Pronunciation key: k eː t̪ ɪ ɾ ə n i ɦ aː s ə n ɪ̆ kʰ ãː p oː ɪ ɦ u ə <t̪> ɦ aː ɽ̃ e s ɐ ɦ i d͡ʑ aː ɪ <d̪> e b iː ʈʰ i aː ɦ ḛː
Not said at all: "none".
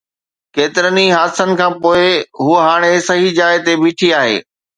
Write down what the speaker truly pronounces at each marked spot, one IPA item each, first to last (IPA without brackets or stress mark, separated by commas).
none, t̪